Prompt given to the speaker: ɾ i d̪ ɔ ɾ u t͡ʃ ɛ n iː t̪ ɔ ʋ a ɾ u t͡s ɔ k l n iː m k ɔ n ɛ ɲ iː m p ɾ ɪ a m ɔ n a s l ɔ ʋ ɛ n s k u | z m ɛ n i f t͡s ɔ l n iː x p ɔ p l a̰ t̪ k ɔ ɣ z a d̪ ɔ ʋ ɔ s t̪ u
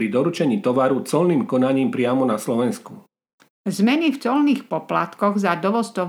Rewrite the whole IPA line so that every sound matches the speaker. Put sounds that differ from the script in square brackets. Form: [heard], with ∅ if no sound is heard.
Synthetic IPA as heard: ɾ i d̪ ɔ ɾ u t͡ʃ ɛ [ɲ] iː t̪ ɔ ʋ a ɾ u t͡s ɔ [∅] l n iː m k ɔ n [a] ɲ iː m p ɾ ɪ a m ɔ n a s l ɔ ʋ ɛ n s k u | z m ɛ n i f t͡s ɔ l n iː x p ɔ p l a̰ t̪ k ɔ ɣ z a d̪ ɔ ʋ ɔ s t̪ [ɔ]